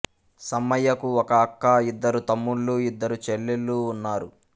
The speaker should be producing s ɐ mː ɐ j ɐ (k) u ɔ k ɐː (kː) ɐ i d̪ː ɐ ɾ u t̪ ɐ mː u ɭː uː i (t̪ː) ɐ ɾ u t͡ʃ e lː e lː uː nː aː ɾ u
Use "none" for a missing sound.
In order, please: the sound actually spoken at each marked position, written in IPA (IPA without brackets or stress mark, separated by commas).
k, kː, d̪ː